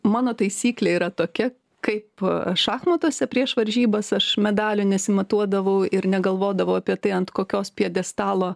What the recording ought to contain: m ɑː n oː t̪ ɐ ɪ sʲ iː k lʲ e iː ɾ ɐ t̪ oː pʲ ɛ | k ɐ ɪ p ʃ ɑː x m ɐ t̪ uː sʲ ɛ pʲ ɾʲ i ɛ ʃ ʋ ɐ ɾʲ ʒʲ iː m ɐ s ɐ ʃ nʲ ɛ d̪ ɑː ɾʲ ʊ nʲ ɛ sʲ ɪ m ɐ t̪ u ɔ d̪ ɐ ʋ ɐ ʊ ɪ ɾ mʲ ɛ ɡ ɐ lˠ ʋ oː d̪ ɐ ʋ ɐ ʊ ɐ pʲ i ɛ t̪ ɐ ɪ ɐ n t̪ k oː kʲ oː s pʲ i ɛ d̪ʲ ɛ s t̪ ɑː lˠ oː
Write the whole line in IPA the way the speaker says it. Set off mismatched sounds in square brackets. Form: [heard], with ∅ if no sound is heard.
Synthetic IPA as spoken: m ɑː n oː t̪ ɐ ɪ sʲ iː k lʲ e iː ɾ ɐ t̪ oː [kʲ] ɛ | k ɐ ɪ p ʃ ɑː x m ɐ t̪ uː sʲ ɛ pʲ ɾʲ i ɛ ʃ ʋ ɐ ɾʲ ʒʲ iː [b] ɐ s ɐ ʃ [mʲ] ɛ d̪ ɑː [lʲ] ʊ nʲ ɛ sʲ ɪ m ɐ t̪ u ɔ d̪ ɐ ʋ ɐ ʊ ɪ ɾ [nʲ] ɛ ɡ ɐ lˠ ʋ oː d̪ ɐ ʋ ɐ ʊ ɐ pʲ i ɛ t̪ ɐ ɪ ɐ n t̪ k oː kʲ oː s pʲ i ɛ d̪ʲ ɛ s t̪ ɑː lˠ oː